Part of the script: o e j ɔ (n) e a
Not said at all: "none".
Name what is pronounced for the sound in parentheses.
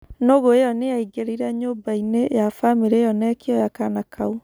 n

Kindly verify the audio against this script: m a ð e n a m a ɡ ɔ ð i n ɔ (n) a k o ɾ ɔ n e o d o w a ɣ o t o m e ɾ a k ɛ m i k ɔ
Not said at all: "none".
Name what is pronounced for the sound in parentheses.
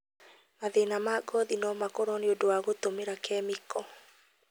m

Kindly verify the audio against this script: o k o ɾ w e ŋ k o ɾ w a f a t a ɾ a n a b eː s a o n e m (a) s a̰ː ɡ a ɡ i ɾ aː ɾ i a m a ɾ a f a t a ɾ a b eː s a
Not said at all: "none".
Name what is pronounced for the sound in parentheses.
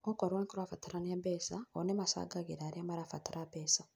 a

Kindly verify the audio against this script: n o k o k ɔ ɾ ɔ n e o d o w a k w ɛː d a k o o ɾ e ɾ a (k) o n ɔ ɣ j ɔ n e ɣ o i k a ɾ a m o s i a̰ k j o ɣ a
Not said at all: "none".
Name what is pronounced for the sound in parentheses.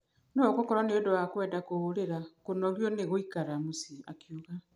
k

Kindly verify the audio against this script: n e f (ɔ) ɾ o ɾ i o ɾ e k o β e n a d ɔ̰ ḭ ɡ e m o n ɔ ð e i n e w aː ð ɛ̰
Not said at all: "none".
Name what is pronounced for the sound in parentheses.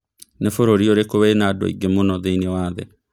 o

